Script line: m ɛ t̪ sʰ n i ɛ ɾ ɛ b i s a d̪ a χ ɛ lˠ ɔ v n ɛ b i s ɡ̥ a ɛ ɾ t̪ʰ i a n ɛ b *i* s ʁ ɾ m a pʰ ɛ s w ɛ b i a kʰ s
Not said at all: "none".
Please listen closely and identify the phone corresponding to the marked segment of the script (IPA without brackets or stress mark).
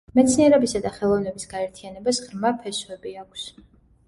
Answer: a